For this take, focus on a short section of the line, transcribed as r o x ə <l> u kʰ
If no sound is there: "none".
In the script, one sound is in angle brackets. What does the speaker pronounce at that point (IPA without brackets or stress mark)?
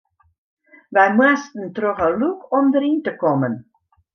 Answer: l